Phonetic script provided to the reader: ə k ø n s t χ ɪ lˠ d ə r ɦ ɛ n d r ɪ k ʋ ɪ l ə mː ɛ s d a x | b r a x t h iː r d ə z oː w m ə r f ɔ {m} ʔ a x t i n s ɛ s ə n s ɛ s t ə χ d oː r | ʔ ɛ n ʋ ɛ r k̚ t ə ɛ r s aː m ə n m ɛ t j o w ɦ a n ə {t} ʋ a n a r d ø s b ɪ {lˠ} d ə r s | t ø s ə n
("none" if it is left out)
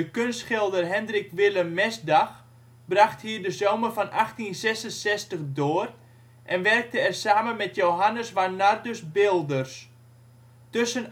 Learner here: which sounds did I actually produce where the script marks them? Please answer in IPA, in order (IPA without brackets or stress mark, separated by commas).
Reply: n, s, lˠ